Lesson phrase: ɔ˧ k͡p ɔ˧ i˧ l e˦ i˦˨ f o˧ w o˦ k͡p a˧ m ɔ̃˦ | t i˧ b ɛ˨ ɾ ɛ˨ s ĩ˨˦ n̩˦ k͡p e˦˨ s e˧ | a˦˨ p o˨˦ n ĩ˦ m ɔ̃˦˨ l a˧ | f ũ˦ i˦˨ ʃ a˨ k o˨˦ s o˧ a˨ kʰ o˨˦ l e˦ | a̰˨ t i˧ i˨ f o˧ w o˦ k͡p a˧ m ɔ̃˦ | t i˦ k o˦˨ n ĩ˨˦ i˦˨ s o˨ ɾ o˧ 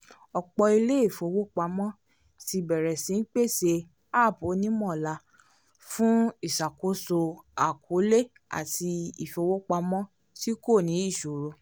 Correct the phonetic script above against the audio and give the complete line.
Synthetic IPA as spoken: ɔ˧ k͡p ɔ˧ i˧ l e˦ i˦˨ f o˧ w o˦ k͡p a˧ m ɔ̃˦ | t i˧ b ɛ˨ ɾ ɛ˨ s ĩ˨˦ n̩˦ k͡p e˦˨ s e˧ | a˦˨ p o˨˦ n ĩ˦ m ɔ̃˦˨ l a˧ | f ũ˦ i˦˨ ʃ a˨ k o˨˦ s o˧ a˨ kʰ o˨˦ l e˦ | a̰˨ t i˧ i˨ f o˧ w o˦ k͡p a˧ m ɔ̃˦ | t i˦ k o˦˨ n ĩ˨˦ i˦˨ ʃ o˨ ɾ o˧

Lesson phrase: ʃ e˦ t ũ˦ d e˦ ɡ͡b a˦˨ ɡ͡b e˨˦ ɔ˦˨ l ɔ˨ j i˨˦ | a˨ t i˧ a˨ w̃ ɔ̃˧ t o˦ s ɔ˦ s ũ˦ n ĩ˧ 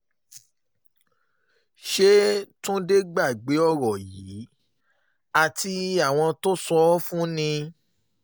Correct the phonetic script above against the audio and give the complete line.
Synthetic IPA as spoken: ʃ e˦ t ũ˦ d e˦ ɡ͡b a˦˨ ɡ͡b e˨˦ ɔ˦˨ ɾ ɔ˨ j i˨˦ | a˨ t i˧ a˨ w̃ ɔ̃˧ t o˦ s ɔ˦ f ũ˦ n ĩ˧

